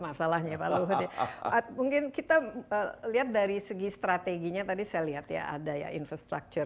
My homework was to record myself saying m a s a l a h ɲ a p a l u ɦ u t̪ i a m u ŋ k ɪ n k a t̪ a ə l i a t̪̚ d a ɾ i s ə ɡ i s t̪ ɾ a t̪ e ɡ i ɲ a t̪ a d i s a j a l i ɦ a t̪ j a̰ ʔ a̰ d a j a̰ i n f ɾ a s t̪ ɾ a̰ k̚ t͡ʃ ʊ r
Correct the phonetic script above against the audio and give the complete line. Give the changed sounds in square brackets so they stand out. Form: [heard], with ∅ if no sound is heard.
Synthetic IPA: m a s a l a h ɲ a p a l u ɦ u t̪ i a m u ŋ k ɪ n k [i] t̪ a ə l i a t̪̚ d a ɾ i s ə ɡ i s t̪ ɾ a t̪ e ɡ i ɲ a t̪ a d i s a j a l i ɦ a t̪ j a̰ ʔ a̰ d a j a̰ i n f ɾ a s t̪ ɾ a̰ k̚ t͡ʃ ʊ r

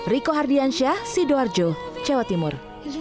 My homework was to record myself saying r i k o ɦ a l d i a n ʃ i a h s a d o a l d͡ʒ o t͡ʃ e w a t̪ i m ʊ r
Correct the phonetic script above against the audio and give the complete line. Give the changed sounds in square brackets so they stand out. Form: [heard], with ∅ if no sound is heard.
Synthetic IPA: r i k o ɦ a [r] d i a n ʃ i a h s [i] d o a [r] d͡ʒ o t͡ʃ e w a t̪ i m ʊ r

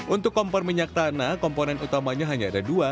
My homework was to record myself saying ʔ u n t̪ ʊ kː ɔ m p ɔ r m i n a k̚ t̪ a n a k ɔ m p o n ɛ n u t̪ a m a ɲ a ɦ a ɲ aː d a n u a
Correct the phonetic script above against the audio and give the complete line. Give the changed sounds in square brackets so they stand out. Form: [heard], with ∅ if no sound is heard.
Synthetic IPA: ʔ u n t̪ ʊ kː ɔ m p ɔ r m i [ɲ] a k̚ t̪ a n a k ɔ m p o n ɛ n u t̪ a m a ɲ a ɦ a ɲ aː d a [d] u a

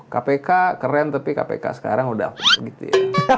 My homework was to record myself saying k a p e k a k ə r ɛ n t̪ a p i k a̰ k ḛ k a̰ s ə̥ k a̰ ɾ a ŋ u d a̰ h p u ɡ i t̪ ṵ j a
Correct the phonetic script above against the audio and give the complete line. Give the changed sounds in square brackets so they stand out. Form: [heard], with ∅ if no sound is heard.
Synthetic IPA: k a p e k a k ə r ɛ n t̪ a p i k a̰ [p] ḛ k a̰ s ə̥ k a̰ ɾ a ŋ u d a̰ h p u ɡ i t̪ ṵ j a

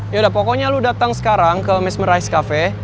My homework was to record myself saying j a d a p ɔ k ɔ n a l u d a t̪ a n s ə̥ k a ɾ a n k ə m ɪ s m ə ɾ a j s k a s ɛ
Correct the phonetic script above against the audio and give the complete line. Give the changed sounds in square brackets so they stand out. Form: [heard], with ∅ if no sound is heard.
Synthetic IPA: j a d a p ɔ k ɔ [ɲ] a l u d a t̪ a [ŋ] s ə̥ k a ɾ a [ŋ] k ə m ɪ s m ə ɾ a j s k a [f] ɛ

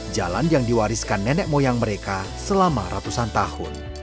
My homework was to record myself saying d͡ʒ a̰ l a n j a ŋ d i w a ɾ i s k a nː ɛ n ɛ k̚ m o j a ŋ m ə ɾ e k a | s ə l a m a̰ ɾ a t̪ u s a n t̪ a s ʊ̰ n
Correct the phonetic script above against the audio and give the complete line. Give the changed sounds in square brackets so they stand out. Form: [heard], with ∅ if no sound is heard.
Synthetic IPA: d͡ʒ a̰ l a n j a ŋ d i w a ɾ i s k a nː ɛ n ɛ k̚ m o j a ŋ m ə ɾ e k a | s ə l a m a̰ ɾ a t̪ u s a n t̪ a [h] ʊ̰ n

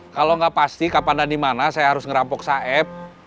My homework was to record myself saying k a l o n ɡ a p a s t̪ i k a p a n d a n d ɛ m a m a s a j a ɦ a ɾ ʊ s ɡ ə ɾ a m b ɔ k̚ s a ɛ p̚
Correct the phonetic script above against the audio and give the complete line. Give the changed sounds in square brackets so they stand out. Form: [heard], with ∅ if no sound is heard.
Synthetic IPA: k a l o [ŋ] ɡ a p a s t̪ i k a p a n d a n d [i] m a [n] a s a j a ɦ a ɾ ʊ s [ŋ] ə ɾ a m [p] ɔ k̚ s a ɛ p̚

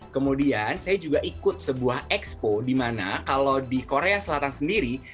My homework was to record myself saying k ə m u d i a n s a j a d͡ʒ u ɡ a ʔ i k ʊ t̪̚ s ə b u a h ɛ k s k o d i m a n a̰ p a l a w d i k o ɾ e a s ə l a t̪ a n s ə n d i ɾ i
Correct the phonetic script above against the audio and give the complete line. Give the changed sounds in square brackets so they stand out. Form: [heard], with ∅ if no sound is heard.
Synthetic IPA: k ə m u d i a n s a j a d͡ʒ u ɡ a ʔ i k ʊ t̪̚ s ə b u a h ɛ k s [p] o d i m a n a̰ [k] a l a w d i k o ɾ e a s ə l a t̪ a n s ə n d i ɾ i

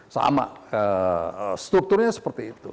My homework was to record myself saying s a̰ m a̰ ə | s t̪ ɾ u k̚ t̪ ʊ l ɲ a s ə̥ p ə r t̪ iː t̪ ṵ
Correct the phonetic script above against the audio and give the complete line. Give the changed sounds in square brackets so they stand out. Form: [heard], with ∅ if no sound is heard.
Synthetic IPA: s a̰ m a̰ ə | s t̪ ɾ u k̚ t̪ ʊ [r] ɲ a s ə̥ p ə r t̪ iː t̪ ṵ

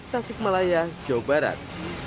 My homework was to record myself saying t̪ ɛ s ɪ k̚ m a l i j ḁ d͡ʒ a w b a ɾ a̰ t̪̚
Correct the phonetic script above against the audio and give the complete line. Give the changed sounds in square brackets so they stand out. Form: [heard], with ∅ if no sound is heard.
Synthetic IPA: t̪ [a] s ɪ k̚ m a l [a] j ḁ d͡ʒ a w b a ɾ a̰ t̪̚

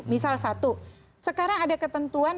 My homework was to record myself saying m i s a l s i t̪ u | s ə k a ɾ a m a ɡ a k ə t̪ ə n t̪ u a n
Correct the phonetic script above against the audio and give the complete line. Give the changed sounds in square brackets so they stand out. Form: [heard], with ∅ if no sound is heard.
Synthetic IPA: m i s a l s [a] t̪ u | s ə k a ɾ a [ŋ] a [d] a k ə t̪ ə n t̪ u a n

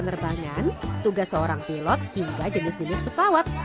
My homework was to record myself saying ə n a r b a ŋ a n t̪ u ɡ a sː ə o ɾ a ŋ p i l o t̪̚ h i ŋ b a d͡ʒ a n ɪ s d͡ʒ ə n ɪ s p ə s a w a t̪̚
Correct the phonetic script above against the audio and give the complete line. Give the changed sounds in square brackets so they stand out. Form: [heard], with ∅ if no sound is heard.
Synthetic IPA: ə n [ə] r b a ŋ a n t̪ u ɡ a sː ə o ɾ a ŋ p i l [ɔ] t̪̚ h i ŋ [ɡ] a d͡ʒ [ə] n ɪ s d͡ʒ ə n ɪ s p ə s a w a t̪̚

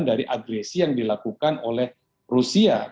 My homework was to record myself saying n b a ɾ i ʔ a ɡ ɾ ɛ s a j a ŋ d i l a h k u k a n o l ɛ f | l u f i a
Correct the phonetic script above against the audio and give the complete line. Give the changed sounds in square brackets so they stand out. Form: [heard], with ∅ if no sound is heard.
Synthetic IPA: n [d] a ɾ i ʔ a ɡ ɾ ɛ s [i] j a ŋ d i l a [∅] k u k a n o l ɛ [h] | [r] u [s] i a

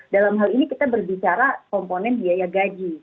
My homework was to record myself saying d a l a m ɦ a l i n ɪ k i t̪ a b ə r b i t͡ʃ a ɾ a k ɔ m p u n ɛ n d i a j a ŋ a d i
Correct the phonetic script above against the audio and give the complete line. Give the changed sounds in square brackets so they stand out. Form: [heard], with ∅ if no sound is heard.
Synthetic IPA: d a l a m ɦ a l i n [i] k i t̪ a b ə r b i t͡ʃ a ɾ a k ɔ m p [o] n ɛ n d i a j a [ɡ] a [d͡ʒ] i

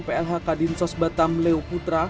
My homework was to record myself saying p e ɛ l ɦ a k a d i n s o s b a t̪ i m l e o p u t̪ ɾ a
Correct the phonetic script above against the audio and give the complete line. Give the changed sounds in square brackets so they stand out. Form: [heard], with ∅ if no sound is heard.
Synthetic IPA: p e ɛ l ɦ a k a d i n s [ɔ] s b a t̪ [a] m l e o p u t̪ ɾ a

